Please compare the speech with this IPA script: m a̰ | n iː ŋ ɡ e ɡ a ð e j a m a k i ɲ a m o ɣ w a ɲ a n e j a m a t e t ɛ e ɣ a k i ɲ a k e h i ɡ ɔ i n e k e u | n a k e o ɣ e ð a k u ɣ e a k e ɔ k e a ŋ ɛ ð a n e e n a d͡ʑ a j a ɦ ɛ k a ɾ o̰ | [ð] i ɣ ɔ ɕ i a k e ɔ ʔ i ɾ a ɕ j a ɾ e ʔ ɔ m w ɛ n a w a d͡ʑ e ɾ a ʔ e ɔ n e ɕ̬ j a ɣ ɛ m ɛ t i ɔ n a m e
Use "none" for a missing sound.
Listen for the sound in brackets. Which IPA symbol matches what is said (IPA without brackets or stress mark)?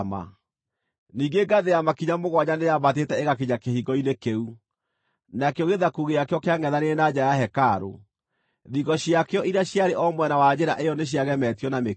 ð